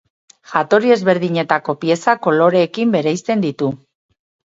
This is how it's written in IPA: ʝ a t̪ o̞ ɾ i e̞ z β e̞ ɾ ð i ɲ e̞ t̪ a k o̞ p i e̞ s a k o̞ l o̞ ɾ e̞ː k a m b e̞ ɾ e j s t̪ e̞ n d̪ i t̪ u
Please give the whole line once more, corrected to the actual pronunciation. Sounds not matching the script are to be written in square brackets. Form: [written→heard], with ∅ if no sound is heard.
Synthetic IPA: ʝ a t̪ o̞ ɾ i e̞ z β e̞ ɾ ð i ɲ e̞ t̪ a k o̞ p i e̞ s a k o̞ l o̞ ɾ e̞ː k [a→i] m b e̞ ɾ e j s t̪ e̞ n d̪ i t̪ u